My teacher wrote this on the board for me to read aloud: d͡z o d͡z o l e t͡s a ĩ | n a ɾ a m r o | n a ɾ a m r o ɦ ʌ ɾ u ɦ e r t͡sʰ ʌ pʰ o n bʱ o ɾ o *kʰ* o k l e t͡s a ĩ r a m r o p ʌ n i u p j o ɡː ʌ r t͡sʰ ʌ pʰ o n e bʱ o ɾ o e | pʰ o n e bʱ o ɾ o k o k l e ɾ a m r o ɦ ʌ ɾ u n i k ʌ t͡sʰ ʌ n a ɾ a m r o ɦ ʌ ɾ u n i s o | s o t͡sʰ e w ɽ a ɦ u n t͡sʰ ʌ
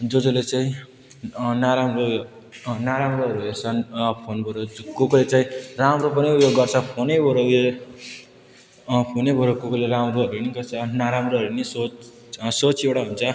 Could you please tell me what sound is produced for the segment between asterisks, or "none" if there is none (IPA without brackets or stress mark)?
k